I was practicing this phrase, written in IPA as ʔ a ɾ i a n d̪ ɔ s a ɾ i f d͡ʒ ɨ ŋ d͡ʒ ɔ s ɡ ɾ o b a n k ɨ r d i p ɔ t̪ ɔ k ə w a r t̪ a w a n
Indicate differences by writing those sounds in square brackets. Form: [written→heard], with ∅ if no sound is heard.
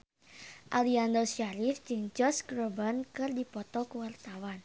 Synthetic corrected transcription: ʔ a [ɾ→l] i a n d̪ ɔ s a ɾ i f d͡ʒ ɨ ŋ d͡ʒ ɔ s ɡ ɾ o b a n k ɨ r d i p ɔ t̪ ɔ k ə w a r t̪ a w a n

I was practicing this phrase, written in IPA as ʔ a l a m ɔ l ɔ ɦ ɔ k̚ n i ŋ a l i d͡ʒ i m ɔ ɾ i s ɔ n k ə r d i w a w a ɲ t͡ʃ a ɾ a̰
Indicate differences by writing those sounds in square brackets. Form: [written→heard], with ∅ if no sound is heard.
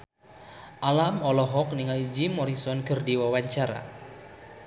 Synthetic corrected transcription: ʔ a l a m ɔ l ɔ ɦ ɔ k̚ n i ŋ a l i d͡ʒ i m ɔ ɾ i s ɔ n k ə r d i w a w a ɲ t͡ʃ a ɾ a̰

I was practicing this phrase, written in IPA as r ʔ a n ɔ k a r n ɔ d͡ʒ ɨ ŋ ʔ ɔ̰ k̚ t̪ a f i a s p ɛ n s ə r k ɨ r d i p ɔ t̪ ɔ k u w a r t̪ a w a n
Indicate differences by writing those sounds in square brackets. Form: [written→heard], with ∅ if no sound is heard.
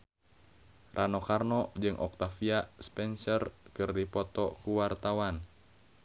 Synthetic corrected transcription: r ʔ a n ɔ k a r n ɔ d͡ʒ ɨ ŋ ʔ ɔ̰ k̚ t̪ a f i a s p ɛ n s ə r k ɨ r d i p ɔ t̪ ɔ k u w a r t̪ a w a n

